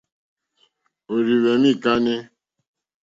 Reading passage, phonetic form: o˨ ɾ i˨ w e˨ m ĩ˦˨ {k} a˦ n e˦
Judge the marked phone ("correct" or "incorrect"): correct